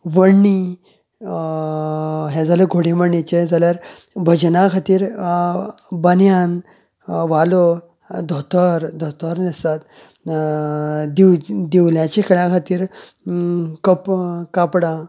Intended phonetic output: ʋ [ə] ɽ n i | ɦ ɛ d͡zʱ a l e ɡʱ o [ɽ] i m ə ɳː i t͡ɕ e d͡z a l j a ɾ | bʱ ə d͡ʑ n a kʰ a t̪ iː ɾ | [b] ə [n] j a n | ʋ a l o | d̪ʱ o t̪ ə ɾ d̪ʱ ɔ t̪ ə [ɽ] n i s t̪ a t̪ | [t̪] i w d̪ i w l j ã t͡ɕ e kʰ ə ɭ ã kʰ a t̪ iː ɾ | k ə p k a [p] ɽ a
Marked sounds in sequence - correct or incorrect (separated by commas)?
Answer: correct, correct, correct, correct, incorrect, incorrect, correct